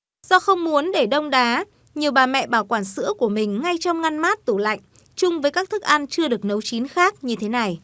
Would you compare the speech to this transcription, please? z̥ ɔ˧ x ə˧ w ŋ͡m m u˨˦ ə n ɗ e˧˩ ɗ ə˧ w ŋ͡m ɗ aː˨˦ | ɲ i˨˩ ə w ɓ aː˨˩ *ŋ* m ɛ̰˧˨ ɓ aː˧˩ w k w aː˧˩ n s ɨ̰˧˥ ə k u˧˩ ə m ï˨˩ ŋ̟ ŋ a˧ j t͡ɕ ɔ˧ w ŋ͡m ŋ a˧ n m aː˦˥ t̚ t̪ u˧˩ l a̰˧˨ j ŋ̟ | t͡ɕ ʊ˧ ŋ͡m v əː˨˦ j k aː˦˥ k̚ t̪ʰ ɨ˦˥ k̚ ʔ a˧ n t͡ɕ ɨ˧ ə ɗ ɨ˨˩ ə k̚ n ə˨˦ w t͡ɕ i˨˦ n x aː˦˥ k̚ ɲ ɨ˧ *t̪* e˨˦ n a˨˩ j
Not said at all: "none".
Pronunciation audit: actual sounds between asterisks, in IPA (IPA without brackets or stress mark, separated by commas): none, t̪ʰ